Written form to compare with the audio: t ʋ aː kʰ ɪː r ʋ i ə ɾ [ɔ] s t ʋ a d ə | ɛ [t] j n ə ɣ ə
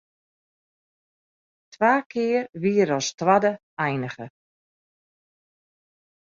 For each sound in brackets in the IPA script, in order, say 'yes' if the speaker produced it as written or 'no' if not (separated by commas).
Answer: yes, no